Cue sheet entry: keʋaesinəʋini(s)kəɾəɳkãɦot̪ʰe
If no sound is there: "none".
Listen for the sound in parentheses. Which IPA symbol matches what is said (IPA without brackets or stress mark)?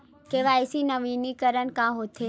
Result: none